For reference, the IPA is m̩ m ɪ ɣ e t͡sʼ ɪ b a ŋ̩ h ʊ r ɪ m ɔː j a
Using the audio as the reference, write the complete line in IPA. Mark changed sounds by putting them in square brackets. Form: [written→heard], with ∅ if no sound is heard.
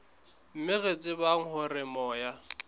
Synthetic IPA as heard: m̩ m ɪ ɣ e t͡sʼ ɪ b a ŋ̩ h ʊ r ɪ m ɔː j a

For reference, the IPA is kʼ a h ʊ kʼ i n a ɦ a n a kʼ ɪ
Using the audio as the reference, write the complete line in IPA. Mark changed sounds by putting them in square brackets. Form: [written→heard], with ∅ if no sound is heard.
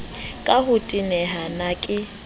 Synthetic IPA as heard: kʼ a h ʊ [kʼ→tʼ] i n [a→ɛ] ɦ a n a kʼ ɪ

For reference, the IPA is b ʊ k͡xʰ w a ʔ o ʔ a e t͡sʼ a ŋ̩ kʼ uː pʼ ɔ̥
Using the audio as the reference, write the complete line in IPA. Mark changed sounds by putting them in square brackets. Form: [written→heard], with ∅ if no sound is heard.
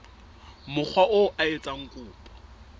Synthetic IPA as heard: [b→m] ʊ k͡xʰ w a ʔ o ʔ a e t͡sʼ a ŋ̩ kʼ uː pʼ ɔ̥

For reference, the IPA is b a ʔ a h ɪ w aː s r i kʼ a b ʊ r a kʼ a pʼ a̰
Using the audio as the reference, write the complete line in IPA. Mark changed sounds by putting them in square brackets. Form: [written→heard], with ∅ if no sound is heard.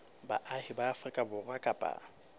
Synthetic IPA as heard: b a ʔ a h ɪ [w→b] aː [s→f] r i kʼ a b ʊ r a kʼ a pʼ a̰

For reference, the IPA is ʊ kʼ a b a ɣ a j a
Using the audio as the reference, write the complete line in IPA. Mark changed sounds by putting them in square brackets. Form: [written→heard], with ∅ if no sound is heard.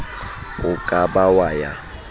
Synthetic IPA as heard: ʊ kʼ a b a [ɣ→w] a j a

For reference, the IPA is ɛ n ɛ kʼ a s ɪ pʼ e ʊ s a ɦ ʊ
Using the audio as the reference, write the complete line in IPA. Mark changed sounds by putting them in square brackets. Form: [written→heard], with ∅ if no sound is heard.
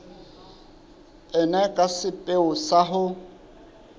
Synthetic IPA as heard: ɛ n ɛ kʼ a s ɪ pʼ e ʊ s a ɦ ʊ

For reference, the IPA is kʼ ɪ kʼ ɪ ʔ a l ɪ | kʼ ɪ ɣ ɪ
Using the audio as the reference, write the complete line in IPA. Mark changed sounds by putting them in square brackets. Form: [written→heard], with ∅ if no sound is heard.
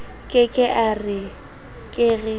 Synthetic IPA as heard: kʼ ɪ kʼ ɪ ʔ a [l→r] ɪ | kʼ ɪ ɣ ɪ

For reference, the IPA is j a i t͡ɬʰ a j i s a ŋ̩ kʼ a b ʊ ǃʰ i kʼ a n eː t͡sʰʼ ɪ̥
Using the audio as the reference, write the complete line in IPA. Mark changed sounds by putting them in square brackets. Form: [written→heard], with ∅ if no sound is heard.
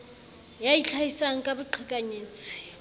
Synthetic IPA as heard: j a i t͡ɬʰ a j i s a ŋ̩ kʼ a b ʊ ǃʰ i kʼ a [n→ɲ] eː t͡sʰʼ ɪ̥

